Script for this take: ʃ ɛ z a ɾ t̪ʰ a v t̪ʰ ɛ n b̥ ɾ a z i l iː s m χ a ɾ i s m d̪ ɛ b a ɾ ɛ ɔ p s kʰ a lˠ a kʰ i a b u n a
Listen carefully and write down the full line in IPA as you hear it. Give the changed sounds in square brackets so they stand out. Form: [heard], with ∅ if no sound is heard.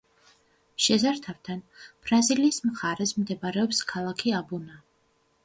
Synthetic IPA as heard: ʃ ɛ z a ɾ t̪ʰ a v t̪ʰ [a] n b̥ ɾ a z i l iː s m χ a ɾ [ɛ] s m d̪ ɛ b a ɾ ɛ ɔ p s kʰ a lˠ a kʰ i a b u n a